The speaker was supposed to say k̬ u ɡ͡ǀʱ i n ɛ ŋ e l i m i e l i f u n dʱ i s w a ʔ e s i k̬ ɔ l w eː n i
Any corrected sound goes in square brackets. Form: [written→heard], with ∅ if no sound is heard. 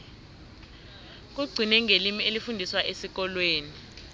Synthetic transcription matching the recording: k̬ u ɡ͡ǀʱ i n ɛ ŋ e l i m i e l i f u n dʱ i s w a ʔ e s i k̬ ɔ l w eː n i